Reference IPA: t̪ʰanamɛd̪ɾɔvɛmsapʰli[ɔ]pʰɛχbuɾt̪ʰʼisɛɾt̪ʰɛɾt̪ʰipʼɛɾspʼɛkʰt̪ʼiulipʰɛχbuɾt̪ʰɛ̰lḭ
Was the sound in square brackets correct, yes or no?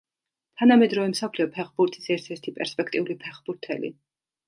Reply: yes